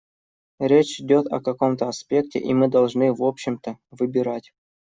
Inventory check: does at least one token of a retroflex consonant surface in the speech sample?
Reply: yes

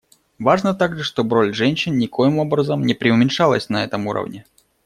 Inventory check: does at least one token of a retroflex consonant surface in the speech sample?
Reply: yes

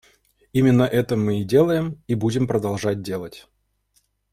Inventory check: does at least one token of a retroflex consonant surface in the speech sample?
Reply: yes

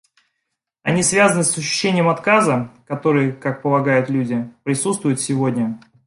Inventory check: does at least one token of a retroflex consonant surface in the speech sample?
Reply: no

